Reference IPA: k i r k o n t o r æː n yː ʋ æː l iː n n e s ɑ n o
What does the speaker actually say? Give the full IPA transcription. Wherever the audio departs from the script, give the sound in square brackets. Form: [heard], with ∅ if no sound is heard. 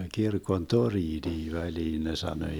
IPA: k i r k o n t o r [iː] n [iː] ʋ [æ] l iː n n e s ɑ n o